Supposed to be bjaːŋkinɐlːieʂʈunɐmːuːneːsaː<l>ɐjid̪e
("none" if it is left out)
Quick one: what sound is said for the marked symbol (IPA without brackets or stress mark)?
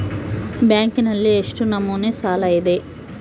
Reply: l